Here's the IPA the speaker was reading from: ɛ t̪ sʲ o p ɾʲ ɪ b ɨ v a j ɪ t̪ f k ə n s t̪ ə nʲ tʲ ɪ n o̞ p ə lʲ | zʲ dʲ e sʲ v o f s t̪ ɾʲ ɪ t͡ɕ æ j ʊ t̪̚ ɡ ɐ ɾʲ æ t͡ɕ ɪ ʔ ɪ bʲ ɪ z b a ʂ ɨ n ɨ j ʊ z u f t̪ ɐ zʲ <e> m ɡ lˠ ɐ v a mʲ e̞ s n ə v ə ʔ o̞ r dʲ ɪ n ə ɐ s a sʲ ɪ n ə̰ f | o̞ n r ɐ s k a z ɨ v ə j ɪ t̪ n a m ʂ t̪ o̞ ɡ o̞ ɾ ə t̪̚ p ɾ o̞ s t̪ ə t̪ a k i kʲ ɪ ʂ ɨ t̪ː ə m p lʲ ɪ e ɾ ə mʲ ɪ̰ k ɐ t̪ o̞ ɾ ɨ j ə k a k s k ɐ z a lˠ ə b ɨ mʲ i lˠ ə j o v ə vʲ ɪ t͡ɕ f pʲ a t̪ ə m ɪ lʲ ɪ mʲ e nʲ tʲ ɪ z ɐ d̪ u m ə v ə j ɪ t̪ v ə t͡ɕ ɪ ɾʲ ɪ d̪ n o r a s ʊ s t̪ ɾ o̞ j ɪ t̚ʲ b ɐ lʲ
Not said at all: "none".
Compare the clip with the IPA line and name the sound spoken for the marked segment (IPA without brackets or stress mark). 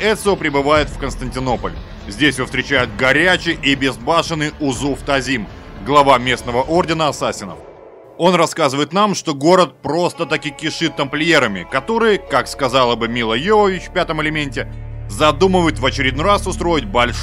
i